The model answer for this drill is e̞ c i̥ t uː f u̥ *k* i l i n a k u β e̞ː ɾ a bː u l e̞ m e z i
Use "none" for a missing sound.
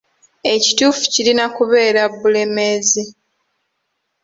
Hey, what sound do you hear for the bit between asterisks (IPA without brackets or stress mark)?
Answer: c